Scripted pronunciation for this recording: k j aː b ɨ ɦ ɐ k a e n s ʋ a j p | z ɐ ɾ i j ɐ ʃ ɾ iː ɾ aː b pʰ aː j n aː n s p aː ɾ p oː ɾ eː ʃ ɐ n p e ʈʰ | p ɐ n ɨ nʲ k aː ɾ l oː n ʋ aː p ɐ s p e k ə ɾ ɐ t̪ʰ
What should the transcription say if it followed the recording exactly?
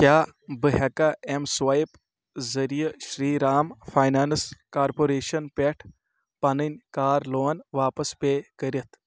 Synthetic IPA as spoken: k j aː b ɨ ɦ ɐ k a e m s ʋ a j p | z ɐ ɾ i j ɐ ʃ ɾ iː ɾ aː m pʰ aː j n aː n s k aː ɾ p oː ɾ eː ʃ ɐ n p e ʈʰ | p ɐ n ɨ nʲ k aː ɾ l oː n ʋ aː p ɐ s p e k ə ɾ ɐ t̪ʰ